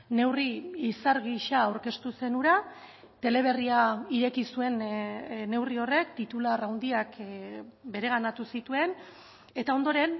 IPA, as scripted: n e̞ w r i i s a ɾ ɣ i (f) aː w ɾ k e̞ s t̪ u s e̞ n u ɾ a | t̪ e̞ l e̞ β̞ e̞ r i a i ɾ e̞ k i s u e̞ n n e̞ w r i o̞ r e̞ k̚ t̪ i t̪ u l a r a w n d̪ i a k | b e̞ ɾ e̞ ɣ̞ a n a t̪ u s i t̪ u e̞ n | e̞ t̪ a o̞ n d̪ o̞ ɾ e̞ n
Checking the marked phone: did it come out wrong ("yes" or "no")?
yes